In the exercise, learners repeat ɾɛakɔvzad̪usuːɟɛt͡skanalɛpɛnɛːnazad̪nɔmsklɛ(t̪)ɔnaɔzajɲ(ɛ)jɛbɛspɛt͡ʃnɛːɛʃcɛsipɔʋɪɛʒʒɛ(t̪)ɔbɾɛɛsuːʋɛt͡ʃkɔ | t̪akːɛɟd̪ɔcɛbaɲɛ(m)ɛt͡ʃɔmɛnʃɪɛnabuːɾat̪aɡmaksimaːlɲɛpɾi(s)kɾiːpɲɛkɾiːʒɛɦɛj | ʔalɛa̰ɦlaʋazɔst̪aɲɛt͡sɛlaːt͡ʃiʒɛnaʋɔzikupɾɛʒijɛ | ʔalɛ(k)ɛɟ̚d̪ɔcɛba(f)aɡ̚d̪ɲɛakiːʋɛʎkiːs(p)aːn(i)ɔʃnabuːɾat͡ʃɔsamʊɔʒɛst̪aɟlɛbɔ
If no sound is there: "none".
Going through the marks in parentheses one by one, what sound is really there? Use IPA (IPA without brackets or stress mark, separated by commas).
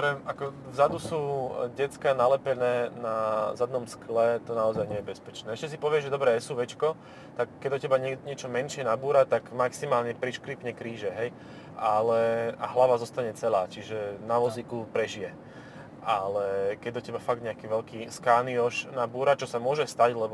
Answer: t̪, ɛ, d̪, ɲ, ʃ, k, f, k, i